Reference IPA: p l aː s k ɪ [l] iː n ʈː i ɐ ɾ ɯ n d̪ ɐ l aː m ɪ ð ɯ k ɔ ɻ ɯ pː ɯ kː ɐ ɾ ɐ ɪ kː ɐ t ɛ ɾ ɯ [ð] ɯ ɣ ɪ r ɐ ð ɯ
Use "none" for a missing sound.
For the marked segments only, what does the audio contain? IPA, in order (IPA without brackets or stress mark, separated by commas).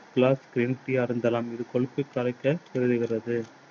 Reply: ɾ, ð